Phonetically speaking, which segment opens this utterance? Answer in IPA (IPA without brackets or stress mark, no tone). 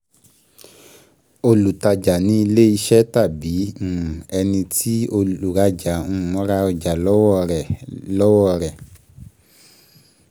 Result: o